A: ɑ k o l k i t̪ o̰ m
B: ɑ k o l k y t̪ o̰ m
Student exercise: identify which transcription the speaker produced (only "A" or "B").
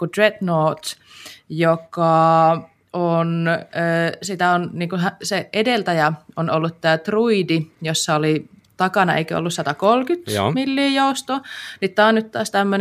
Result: B